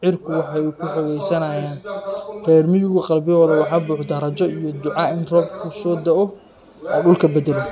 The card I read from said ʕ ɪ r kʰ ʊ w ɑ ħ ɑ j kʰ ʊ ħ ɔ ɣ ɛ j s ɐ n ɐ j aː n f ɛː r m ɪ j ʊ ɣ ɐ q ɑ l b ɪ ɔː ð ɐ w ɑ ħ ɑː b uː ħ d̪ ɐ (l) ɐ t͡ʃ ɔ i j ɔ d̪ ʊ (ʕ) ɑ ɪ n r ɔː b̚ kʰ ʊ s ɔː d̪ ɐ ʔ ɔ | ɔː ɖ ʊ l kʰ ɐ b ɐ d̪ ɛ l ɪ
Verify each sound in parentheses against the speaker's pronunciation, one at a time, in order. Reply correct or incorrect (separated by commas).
incorrect, correct